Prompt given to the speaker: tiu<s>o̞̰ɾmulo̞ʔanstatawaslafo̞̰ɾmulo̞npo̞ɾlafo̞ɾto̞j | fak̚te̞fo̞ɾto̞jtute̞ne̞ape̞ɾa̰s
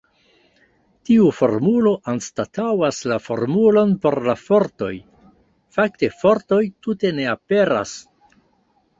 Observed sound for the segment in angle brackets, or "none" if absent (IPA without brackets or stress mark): f